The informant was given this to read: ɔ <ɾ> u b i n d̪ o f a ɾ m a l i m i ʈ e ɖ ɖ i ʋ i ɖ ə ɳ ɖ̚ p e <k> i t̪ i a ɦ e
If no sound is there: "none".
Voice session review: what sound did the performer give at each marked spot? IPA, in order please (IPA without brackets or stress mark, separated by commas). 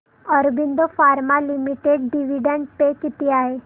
ɾ, k